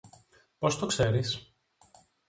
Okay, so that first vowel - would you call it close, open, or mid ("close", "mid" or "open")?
mid